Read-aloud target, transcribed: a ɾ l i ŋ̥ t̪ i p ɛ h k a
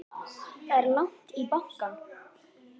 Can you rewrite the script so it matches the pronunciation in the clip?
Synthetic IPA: ɛ ɾ l a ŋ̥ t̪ i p a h k a